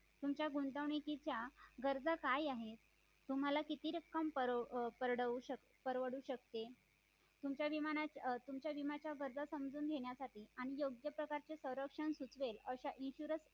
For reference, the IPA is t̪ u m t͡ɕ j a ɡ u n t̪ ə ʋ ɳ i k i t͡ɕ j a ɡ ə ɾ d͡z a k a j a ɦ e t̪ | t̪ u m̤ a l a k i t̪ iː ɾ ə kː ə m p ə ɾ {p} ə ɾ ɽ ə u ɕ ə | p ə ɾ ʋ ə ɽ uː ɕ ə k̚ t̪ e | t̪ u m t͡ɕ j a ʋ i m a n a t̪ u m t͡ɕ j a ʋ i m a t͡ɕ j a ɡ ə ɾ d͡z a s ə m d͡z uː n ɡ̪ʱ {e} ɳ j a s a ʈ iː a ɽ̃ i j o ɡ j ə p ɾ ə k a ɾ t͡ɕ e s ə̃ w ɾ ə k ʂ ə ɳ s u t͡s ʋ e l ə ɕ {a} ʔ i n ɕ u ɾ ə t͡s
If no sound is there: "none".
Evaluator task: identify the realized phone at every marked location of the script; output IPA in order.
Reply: p, e, a

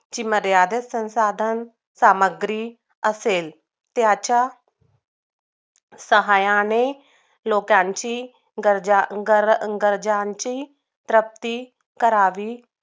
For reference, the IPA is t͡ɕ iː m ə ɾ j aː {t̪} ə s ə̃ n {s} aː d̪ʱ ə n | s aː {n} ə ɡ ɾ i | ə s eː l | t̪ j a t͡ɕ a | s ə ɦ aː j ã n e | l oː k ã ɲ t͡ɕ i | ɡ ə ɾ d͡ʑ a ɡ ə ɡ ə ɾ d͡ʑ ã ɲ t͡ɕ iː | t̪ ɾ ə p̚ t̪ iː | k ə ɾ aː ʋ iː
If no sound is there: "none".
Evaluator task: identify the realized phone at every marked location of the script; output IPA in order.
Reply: d̪, s, m

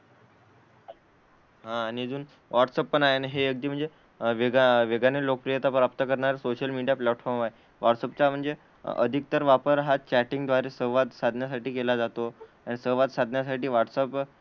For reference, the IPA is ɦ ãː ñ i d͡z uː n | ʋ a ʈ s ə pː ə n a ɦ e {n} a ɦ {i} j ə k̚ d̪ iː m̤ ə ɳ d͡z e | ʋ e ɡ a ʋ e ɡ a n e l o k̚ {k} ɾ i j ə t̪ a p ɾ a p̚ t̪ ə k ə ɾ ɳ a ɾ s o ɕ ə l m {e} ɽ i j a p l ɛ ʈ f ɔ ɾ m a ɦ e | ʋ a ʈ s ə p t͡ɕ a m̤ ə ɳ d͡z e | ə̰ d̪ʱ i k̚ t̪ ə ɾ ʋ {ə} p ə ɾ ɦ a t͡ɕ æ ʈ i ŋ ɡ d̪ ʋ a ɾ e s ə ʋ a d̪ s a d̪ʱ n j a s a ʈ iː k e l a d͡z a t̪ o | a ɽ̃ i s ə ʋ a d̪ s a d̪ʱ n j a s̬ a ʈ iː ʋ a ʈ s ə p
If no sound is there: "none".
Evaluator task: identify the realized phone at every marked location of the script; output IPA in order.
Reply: n, e, p, i, a

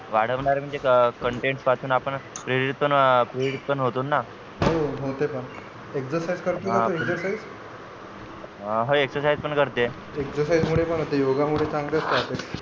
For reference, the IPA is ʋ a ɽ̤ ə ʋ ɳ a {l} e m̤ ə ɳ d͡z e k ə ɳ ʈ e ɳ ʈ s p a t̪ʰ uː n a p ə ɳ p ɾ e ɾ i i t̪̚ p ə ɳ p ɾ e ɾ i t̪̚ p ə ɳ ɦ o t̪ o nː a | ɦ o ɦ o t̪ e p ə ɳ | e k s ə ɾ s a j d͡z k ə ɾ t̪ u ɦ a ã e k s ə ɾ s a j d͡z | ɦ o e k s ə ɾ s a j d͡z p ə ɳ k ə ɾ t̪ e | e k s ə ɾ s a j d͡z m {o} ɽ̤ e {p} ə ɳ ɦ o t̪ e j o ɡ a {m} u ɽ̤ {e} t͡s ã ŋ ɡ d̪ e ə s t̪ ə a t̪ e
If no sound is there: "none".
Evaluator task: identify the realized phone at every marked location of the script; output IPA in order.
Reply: ɾ, u, p, m, e

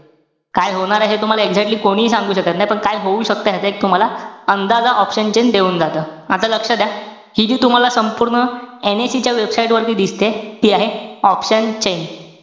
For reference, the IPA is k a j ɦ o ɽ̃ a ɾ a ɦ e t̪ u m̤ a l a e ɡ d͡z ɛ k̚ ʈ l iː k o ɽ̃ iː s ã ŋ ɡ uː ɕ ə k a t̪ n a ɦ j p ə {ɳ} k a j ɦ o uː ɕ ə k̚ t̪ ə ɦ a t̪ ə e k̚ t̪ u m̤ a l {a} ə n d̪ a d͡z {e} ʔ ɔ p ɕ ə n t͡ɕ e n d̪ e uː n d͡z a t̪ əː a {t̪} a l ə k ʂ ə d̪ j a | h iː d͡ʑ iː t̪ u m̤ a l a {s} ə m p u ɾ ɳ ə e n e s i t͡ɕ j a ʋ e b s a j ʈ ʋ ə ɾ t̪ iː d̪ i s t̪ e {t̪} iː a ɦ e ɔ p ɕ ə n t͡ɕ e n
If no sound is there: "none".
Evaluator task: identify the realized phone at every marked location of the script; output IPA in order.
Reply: ɳ, a, a, t̪, s, t̪

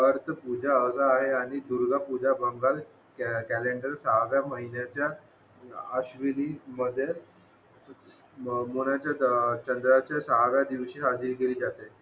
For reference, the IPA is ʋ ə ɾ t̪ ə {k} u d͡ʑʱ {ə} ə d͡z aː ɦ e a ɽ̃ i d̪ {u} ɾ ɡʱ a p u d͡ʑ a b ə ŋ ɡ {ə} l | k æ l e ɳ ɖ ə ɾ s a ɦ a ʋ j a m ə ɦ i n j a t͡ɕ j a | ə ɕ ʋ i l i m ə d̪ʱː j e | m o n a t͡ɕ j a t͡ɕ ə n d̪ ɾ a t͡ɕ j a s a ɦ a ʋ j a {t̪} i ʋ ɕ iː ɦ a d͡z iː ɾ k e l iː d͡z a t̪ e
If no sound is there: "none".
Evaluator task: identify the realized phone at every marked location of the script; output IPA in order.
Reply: p, a, u, a, d̪

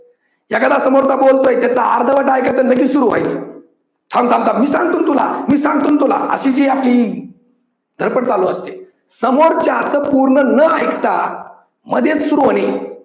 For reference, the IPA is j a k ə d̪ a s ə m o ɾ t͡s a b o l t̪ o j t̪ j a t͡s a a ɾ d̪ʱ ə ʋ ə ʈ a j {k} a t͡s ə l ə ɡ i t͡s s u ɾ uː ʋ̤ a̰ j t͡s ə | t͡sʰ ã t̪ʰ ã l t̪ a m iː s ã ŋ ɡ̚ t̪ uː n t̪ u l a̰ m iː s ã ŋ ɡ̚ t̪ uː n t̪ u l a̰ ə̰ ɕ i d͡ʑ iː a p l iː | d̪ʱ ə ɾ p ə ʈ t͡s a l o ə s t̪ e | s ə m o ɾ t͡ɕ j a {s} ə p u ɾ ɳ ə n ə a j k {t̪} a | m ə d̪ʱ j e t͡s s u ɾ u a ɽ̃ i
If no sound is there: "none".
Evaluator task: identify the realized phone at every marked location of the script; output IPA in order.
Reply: k, t͡s, t̪

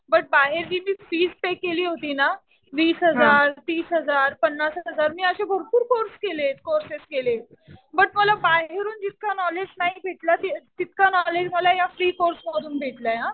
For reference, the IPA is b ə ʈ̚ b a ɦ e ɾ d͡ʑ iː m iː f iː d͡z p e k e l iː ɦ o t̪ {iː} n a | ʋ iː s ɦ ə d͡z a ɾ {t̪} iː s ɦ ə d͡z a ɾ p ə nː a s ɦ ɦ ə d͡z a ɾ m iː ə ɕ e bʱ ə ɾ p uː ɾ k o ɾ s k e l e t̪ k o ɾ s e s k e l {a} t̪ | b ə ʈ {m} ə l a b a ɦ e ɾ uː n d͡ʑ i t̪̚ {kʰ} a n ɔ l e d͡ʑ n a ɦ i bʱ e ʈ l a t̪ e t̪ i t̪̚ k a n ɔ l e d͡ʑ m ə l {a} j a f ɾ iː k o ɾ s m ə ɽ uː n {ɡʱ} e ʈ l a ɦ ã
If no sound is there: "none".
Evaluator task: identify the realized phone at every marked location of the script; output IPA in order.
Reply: iː, t̪, e, m, k, a, bʱ

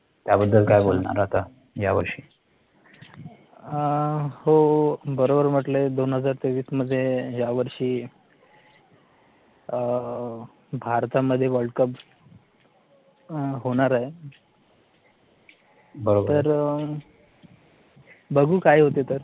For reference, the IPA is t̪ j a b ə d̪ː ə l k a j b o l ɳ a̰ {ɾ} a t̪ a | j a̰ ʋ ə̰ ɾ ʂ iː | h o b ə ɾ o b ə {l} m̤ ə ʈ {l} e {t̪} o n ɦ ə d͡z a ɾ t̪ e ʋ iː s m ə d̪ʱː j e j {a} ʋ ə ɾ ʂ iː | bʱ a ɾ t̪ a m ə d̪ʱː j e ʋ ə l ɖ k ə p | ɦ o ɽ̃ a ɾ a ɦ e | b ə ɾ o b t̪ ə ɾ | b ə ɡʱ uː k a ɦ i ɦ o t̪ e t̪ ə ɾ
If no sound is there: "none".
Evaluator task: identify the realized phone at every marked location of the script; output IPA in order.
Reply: ɾ, ɾ, l, d̪, a

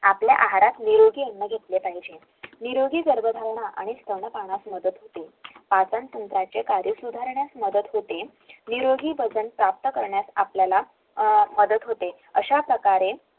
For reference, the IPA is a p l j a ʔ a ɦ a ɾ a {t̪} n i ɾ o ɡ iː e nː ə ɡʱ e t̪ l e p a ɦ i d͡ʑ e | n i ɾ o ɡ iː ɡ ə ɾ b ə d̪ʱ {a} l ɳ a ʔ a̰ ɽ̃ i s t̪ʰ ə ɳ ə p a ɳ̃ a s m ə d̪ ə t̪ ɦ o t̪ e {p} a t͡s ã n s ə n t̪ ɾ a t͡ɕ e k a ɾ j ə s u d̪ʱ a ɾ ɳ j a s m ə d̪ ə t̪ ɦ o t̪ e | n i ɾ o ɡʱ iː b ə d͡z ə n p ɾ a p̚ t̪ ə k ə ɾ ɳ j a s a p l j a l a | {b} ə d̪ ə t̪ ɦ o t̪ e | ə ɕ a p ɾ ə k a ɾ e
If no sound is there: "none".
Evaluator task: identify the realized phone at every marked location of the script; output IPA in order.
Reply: t̪, a, p, m

